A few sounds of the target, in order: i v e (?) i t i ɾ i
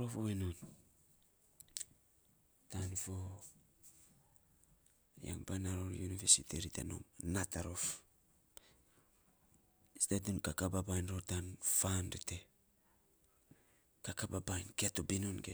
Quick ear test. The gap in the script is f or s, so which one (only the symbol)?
s